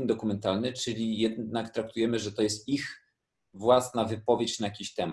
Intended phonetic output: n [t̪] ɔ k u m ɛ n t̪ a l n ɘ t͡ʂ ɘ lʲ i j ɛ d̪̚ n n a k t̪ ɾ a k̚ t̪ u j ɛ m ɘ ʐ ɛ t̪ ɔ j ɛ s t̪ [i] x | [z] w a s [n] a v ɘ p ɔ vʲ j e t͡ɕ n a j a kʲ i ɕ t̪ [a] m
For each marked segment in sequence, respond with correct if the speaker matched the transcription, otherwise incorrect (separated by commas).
incorrect, correct, incorrect, correct, incorrect